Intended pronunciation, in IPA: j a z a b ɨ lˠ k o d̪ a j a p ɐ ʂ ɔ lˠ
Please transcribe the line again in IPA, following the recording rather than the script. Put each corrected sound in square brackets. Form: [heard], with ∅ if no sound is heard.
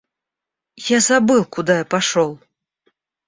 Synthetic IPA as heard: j a z a b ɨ lˠ k [u] d̪ a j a p [a] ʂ ɔ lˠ